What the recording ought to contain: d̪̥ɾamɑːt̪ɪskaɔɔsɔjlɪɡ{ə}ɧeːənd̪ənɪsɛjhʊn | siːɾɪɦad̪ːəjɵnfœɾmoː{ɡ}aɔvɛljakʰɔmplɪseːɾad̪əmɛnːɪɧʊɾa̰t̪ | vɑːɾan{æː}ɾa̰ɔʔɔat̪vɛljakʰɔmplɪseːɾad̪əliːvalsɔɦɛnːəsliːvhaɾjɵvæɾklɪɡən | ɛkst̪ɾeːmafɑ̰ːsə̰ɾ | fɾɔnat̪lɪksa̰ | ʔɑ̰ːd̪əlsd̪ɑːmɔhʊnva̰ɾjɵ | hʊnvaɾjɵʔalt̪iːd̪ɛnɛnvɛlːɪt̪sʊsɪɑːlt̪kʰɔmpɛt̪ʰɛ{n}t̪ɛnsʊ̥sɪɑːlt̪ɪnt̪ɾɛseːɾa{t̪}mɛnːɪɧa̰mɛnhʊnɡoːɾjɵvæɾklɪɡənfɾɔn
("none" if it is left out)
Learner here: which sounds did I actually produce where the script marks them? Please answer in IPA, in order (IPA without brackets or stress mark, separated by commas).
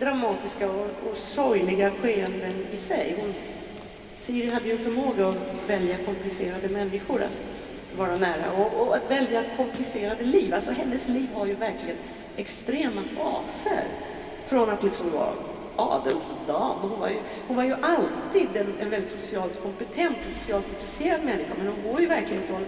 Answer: a, ɡ, æː, n, d̪